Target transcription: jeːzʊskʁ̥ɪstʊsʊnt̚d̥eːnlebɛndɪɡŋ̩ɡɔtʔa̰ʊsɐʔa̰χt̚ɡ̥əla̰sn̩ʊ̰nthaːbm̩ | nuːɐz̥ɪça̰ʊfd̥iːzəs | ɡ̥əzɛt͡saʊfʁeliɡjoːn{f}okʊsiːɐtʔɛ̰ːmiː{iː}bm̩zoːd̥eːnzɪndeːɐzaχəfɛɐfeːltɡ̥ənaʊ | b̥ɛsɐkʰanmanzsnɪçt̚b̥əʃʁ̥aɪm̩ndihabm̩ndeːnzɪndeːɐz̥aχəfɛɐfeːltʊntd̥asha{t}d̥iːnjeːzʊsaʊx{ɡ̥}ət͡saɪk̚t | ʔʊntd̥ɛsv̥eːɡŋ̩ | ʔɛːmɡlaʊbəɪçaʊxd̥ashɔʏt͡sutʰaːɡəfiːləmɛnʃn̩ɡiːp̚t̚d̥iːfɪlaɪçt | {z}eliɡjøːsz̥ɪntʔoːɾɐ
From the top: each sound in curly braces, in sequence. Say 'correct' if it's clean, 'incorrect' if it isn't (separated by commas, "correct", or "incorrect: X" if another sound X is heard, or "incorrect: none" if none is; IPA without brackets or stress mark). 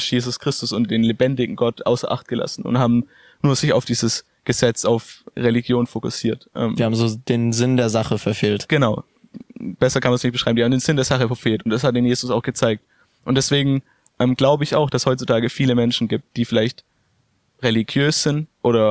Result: correct, incorrect: aː, correct, correct, incorrect: ʁ